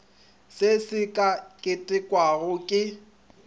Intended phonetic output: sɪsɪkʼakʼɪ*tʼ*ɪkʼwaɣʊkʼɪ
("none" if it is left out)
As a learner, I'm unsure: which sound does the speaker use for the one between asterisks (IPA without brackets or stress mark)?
tʼ